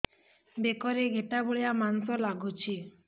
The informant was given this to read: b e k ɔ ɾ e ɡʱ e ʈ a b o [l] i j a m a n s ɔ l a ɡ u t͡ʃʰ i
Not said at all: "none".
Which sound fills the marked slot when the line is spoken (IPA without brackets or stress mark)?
ɭ